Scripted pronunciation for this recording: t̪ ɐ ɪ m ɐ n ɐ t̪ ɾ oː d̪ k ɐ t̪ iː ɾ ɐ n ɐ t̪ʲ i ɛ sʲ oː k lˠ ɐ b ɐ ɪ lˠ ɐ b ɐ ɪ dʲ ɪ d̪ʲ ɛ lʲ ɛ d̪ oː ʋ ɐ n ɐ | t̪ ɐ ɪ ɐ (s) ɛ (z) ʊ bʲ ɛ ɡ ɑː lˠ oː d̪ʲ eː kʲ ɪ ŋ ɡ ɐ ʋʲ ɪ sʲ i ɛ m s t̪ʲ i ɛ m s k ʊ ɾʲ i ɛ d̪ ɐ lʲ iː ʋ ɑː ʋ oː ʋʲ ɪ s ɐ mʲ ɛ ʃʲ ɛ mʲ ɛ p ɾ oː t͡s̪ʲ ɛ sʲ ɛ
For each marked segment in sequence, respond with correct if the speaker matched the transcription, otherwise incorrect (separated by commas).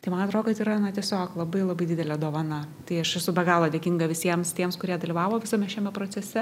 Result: incorrect, incorrect